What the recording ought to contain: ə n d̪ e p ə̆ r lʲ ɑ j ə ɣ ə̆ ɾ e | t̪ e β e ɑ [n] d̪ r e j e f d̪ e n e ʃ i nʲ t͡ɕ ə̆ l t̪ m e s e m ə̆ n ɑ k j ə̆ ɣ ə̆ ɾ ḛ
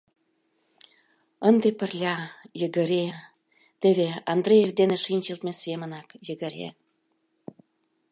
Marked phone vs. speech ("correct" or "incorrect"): correct